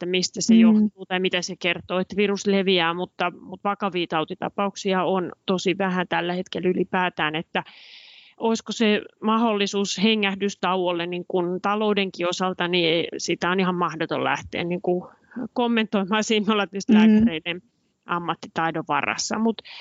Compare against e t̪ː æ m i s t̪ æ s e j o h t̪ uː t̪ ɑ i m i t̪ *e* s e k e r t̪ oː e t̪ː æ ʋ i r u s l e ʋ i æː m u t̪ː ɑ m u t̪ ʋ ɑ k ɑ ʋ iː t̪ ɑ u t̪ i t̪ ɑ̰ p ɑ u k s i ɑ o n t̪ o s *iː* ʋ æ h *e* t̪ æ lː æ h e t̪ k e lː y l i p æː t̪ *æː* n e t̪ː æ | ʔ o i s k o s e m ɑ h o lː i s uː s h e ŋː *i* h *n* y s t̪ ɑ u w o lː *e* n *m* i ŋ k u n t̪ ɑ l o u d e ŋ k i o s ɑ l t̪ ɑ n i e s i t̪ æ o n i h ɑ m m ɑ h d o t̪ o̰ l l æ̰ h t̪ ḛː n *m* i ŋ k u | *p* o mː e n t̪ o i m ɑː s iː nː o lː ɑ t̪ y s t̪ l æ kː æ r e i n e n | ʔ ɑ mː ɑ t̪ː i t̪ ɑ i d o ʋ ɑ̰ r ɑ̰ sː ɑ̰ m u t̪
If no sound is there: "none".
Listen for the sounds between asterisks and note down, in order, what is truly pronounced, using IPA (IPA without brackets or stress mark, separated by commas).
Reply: æ, i, æ, æː, æ, d, e, n, n, k